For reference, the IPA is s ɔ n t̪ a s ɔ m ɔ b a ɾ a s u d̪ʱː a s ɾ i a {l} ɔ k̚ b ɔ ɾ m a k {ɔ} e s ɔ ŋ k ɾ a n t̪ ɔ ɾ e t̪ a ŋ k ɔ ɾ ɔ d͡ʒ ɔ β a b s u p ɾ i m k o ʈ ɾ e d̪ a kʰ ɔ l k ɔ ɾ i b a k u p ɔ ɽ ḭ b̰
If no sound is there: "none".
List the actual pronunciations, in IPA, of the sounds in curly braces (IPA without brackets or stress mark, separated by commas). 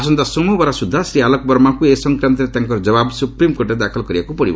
l, u